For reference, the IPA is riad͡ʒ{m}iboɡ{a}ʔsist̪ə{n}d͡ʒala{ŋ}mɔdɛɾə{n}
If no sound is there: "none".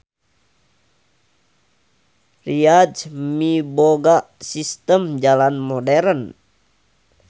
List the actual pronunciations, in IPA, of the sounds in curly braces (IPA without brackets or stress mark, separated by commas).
m, a, m, n, n